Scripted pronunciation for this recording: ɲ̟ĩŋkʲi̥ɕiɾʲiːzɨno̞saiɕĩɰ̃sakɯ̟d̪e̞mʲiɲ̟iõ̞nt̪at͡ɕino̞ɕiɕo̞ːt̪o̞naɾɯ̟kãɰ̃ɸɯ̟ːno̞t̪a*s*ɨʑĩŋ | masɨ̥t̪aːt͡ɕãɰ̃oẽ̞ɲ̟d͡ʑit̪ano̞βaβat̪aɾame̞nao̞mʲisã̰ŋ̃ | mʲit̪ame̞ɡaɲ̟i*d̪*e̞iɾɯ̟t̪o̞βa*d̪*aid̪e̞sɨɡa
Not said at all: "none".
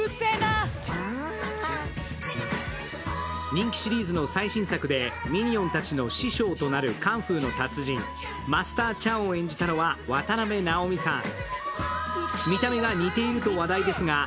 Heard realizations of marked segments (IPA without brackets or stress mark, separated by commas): t͡s, t̪, d̪